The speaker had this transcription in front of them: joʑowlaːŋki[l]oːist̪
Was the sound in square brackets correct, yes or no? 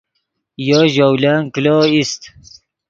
yes